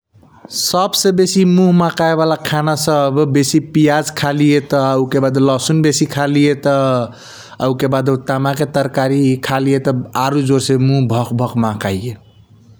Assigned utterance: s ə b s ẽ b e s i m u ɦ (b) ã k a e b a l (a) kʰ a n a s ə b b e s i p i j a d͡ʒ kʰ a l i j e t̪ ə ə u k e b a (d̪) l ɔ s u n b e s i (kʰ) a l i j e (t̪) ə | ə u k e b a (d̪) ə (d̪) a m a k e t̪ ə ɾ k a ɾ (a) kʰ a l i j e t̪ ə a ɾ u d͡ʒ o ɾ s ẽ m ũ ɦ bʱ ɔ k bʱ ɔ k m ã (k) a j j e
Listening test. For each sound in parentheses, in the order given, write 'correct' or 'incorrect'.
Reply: incorrect: m, correct, correct, correct, correct, correct, incorrect: t̪, incorrect: i, correct

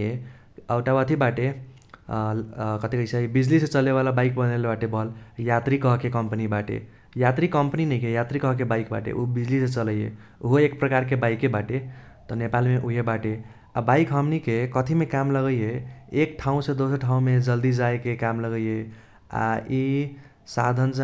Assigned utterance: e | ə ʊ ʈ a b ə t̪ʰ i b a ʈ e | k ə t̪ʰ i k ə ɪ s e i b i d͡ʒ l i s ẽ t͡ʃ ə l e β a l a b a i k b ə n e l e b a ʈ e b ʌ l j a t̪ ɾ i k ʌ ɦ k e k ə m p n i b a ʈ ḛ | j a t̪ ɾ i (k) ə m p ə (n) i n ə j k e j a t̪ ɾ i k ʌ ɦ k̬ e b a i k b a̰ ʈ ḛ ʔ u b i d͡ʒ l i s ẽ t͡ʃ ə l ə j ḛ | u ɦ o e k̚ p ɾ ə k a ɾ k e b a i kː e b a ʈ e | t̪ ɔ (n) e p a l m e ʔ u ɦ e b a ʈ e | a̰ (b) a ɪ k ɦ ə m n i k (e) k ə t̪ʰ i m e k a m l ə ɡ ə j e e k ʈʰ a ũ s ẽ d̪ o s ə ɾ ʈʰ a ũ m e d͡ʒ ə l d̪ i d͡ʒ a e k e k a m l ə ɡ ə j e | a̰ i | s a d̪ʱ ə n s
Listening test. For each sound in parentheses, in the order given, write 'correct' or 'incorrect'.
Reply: correct, correct, correct, correct, correct

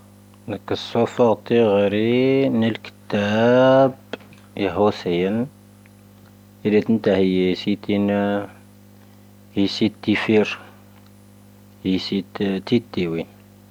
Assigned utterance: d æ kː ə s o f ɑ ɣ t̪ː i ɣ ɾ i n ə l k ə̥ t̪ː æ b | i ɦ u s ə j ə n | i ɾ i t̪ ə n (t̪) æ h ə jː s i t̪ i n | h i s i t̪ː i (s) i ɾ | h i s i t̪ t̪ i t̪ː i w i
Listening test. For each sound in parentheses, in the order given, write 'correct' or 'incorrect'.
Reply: correct, incorrect: f

